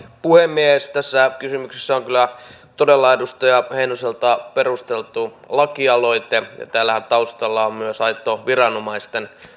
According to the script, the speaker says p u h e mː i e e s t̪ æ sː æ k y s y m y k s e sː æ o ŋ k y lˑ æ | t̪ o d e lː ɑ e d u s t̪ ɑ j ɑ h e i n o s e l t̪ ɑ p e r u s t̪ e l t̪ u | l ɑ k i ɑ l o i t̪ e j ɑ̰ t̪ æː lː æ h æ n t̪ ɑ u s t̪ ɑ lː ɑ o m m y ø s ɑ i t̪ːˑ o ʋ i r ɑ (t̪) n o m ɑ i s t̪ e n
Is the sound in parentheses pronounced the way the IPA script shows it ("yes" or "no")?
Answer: no